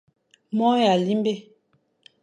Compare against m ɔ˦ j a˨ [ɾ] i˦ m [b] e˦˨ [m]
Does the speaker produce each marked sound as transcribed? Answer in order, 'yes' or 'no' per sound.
no, yes, no

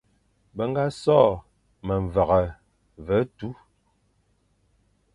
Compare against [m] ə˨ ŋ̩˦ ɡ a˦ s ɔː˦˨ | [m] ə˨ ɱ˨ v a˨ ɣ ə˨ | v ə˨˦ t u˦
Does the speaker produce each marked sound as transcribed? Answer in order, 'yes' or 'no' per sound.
no, yes

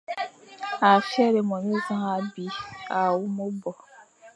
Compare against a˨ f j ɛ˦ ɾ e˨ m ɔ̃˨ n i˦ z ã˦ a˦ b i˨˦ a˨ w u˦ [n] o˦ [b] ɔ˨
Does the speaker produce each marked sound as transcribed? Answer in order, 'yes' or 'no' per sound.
no, yes

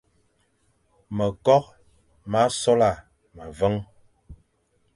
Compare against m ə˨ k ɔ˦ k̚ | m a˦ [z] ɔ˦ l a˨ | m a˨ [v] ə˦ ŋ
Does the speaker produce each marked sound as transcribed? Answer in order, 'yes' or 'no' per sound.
no, yes

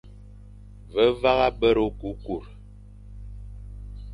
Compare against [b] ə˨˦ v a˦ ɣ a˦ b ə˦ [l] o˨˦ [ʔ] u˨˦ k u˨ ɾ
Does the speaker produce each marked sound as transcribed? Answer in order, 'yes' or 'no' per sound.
no, no, no

